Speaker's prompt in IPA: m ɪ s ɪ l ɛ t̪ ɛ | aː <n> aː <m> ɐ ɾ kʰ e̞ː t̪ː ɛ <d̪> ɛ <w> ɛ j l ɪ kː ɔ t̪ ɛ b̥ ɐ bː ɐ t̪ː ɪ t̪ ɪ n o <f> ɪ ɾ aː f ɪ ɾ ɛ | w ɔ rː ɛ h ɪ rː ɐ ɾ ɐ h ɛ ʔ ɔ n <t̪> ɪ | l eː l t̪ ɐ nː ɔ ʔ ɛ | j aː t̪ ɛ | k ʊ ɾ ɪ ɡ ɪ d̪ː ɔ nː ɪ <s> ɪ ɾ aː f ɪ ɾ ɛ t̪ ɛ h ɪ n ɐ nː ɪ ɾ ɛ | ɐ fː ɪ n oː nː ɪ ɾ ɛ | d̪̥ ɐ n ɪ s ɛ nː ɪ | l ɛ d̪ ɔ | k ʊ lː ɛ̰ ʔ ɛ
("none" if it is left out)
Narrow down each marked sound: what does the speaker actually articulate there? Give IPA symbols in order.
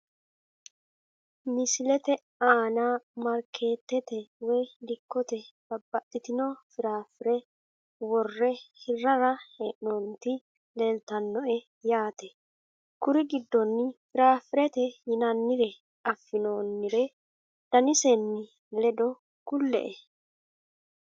n, m, t̪, w, f, t̪, f

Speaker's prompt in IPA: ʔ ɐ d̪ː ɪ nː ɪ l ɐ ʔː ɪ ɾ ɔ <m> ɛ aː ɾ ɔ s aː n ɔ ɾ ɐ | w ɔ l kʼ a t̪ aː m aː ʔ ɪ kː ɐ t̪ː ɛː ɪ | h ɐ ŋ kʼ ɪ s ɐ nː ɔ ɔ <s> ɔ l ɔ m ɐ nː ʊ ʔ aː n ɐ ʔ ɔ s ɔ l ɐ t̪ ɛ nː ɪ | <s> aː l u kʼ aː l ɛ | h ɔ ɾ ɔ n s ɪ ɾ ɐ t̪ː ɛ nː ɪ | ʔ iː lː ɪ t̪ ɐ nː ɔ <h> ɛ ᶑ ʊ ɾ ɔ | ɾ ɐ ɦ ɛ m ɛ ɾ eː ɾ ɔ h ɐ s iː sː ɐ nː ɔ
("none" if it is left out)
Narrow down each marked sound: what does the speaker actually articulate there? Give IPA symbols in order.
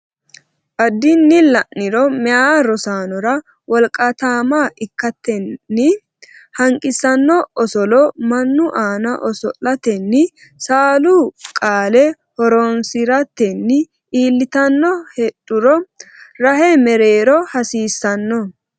m, s, s, h

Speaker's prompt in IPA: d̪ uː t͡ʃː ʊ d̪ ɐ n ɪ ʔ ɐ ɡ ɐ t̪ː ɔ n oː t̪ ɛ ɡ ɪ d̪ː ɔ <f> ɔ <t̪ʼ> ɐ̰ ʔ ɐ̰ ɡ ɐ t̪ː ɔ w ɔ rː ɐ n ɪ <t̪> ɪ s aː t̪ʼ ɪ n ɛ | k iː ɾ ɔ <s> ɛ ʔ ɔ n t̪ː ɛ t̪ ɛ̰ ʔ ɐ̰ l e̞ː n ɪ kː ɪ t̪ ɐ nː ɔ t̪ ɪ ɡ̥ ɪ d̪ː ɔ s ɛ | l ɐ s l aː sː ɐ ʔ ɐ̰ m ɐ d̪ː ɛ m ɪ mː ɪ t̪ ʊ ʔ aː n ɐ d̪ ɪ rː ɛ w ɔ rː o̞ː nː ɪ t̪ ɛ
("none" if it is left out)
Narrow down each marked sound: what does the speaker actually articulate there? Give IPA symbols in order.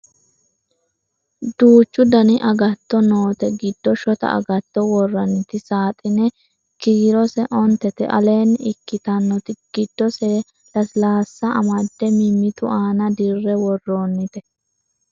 ʃ, t̪, t̪, s

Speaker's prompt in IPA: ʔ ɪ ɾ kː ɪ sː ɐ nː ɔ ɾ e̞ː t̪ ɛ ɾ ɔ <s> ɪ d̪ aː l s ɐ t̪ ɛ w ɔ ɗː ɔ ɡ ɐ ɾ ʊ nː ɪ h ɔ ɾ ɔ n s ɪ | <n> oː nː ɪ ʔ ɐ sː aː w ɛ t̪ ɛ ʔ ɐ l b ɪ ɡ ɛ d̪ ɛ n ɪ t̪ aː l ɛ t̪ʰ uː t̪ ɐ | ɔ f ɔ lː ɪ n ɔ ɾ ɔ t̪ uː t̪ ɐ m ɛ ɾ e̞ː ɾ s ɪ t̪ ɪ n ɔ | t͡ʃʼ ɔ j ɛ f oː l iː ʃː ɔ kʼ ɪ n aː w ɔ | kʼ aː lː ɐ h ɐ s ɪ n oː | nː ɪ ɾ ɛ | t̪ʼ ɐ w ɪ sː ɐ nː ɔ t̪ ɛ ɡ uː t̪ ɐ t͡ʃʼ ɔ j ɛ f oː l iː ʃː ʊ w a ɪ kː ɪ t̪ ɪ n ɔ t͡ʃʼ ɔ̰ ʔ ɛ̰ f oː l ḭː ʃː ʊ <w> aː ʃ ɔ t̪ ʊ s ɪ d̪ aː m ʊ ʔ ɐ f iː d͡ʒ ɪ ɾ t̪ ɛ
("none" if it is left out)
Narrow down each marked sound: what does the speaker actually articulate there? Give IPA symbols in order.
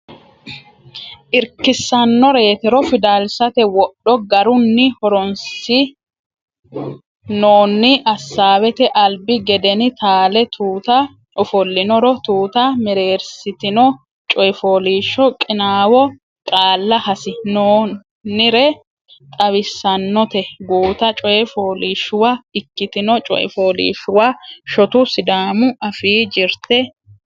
f, n, w

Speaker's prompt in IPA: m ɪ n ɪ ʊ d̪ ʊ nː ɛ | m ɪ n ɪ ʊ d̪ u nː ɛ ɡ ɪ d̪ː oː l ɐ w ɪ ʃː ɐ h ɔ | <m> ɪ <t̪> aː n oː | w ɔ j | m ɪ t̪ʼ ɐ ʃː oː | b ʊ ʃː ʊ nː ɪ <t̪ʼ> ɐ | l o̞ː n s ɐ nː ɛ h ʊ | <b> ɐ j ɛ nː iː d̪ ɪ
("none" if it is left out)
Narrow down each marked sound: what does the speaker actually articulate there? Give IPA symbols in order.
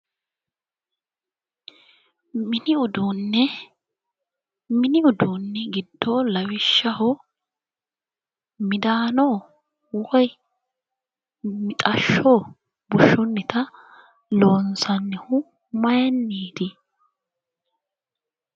m, d̪, t̪, m

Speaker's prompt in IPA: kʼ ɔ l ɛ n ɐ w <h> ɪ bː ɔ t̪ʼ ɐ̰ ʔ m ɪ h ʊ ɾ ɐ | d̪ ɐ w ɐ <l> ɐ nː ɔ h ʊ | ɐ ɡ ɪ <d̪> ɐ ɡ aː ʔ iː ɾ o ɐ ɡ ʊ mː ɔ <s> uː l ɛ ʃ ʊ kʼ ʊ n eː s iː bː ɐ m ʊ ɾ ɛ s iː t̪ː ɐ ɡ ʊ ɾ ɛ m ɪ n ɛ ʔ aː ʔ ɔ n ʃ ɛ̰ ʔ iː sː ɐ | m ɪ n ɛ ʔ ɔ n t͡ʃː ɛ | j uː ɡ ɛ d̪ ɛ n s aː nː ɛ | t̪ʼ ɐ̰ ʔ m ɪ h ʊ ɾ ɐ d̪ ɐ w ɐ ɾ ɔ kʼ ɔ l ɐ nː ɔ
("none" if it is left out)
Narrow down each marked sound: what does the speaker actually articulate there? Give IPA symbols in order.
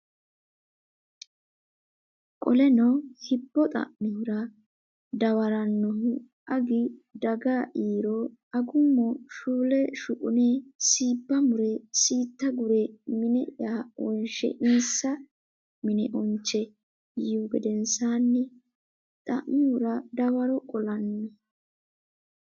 h, ɾ, d̪, ʃ

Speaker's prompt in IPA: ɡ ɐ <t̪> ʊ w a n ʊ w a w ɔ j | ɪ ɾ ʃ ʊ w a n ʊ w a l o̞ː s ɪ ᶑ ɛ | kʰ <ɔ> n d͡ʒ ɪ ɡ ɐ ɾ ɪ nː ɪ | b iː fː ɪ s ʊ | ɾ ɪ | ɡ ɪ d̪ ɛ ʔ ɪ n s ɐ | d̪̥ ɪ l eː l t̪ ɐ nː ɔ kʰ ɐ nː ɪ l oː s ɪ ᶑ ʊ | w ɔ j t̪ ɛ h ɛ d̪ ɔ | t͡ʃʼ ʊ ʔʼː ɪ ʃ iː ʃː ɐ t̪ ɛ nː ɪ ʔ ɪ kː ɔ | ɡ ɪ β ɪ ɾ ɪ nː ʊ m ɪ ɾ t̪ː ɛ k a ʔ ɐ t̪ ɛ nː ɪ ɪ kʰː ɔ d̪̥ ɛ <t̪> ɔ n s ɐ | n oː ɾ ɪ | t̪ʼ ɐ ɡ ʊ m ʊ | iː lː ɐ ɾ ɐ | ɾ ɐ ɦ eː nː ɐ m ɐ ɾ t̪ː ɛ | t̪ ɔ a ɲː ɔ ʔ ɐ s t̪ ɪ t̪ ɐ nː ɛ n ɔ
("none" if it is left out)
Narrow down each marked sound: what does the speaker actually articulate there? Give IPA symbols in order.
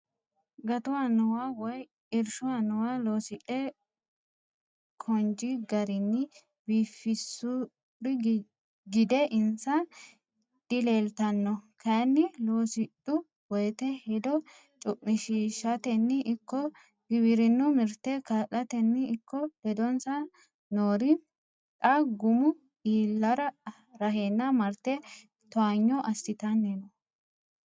t̪, ɔ, d̪

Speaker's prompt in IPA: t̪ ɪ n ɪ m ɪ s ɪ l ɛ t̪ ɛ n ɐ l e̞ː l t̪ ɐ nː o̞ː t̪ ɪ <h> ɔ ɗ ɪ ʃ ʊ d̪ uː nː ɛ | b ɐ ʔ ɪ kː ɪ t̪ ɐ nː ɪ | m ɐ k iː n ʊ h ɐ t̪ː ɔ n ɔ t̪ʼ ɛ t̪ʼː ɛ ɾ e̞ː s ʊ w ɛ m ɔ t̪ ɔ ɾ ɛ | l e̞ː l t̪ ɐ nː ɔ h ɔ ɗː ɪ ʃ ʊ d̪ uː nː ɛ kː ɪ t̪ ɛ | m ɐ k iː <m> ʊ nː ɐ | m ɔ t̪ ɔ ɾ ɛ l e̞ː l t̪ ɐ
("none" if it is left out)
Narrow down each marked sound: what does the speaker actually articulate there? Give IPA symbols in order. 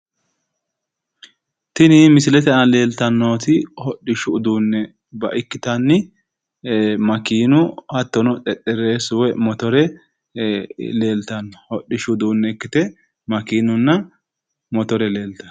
h, n

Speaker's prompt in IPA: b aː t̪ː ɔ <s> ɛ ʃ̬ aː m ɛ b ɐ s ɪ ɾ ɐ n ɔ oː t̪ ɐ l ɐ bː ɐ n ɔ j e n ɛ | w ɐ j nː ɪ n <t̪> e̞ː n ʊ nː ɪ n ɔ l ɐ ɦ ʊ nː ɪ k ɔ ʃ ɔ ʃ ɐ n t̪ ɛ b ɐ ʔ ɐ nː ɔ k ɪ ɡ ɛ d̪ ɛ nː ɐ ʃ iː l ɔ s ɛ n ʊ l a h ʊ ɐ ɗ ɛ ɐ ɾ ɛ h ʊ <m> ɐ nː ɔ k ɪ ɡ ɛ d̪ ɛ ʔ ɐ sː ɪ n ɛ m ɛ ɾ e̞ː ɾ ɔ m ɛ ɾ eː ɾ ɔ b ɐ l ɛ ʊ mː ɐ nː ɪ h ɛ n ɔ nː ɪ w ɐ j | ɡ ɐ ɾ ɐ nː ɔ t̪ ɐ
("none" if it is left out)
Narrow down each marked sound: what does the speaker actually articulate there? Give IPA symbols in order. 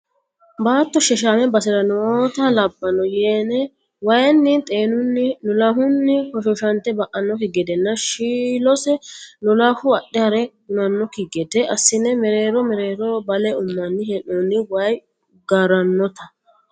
ʃ, t̪ʼ, n

